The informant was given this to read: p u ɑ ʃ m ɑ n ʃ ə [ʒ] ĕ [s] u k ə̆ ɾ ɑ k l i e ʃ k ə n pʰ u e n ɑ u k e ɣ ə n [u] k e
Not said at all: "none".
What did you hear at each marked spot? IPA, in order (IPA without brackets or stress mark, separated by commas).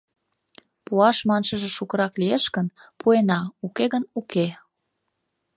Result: ʒ, ʃ, u